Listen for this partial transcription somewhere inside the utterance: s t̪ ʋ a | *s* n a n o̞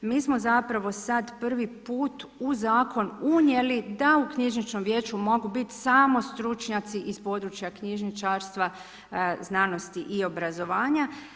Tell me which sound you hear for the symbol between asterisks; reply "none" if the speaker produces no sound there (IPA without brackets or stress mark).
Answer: z